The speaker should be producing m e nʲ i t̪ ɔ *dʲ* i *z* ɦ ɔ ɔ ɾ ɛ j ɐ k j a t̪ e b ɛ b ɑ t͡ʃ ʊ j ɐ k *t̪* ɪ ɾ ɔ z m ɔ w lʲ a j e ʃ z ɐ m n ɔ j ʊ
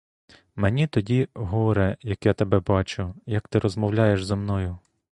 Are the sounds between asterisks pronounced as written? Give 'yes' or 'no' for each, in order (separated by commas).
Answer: yes, no, yes